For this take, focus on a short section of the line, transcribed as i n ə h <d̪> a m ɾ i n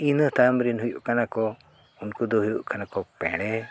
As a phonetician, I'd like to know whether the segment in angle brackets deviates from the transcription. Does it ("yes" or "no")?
yes